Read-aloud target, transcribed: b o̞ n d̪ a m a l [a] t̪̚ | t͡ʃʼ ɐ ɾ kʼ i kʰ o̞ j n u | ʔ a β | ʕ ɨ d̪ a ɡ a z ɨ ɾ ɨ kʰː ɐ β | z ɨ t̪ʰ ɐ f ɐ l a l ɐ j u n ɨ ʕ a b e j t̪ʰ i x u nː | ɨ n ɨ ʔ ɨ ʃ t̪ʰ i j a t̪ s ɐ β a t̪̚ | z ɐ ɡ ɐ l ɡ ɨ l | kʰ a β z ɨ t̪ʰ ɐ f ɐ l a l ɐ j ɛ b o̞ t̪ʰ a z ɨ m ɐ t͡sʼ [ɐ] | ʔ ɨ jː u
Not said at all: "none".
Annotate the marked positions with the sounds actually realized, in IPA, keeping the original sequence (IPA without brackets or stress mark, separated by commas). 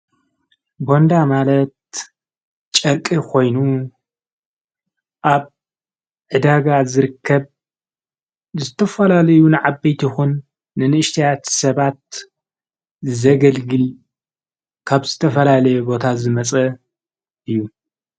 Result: ɐ, ɐ